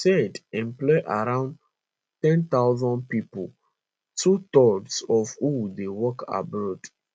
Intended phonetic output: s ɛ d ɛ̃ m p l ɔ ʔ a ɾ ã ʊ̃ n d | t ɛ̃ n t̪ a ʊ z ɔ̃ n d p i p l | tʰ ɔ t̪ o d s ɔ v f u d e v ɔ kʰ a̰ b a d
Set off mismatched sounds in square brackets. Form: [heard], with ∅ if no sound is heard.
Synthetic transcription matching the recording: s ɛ d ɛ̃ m p l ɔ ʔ a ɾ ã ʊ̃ n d | t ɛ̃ n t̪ a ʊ z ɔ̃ n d p i p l | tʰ [u] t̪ [ɔ] d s ɔ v [h] u d e [w] ɔ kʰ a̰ b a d